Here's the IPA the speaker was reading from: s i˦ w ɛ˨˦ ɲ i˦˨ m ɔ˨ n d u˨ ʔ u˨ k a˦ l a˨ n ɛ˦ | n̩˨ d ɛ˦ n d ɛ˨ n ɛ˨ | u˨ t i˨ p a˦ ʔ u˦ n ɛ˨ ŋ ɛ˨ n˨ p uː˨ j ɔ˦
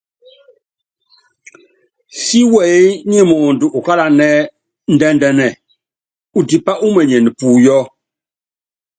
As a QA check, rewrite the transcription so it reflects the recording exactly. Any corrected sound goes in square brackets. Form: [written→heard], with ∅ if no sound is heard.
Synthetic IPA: s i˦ w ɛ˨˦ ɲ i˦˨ m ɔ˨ n d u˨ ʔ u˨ k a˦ l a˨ n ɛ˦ | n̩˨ d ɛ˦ n d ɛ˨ n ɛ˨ | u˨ t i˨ p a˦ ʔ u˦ [n→m] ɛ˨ [ŋ→ɲ] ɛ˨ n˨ p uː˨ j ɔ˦